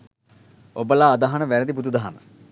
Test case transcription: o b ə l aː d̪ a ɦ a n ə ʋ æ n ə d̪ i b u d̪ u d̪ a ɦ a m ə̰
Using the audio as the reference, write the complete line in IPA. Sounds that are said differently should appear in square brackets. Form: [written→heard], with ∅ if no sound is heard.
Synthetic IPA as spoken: o b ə l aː d̪ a ɦ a n ə ʋ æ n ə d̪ i b u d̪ u d̪ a ɦ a m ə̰